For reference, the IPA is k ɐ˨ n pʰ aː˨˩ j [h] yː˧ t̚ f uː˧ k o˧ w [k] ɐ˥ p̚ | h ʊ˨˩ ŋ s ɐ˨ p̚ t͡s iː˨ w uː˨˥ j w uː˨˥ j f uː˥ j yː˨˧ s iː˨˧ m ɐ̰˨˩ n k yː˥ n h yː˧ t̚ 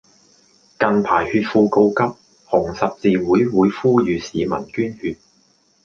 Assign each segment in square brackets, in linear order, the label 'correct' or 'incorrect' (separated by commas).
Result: correct, correct